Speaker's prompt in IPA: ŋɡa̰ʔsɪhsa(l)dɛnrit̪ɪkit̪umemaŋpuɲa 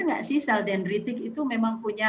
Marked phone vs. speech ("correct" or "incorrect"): correct